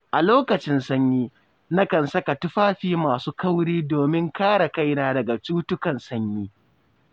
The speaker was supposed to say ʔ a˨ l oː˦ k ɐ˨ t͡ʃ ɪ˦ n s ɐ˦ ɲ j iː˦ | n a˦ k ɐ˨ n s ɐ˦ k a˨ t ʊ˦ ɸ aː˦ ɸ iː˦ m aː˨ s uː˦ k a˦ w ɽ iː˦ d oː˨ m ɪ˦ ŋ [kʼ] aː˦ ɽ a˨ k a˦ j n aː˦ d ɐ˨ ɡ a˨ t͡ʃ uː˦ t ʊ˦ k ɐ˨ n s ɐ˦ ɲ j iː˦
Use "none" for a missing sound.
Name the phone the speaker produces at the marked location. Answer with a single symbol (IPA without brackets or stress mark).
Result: k